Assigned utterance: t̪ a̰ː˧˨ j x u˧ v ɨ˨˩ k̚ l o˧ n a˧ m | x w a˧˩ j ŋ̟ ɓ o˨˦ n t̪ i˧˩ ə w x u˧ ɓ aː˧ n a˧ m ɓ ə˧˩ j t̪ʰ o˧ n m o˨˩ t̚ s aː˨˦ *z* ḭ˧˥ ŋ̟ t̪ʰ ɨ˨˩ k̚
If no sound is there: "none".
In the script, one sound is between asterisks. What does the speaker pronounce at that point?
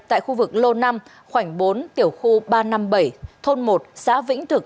v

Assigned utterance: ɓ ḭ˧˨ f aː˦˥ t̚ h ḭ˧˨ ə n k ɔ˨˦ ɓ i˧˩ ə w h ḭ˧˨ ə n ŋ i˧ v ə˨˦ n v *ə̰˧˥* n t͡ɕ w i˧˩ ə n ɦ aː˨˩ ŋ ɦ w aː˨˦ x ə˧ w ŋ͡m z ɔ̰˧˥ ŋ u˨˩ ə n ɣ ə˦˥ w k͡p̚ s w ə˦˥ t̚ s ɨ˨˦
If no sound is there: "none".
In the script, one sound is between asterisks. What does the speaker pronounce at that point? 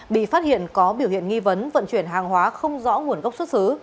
ə̰˧˨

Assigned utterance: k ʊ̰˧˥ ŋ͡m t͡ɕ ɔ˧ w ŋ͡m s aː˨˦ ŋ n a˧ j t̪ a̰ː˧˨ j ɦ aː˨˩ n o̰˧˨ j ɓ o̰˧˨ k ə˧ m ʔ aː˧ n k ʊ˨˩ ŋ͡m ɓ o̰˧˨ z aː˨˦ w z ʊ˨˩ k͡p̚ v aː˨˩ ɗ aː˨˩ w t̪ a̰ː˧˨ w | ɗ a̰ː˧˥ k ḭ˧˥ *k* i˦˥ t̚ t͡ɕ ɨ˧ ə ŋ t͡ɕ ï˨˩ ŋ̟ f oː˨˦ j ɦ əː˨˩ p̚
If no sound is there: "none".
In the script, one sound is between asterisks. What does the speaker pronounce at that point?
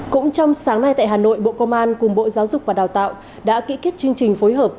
k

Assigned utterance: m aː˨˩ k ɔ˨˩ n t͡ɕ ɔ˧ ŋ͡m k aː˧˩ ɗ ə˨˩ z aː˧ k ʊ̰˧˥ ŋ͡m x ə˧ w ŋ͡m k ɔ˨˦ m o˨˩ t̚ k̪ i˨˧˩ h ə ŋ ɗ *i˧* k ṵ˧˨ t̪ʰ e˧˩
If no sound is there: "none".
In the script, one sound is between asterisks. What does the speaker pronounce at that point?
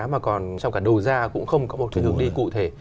i˧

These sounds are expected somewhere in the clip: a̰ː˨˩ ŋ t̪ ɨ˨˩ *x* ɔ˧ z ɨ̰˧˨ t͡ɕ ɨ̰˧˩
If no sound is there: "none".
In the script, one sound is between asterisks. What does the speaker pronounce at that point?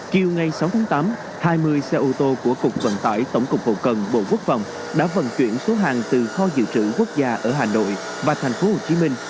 x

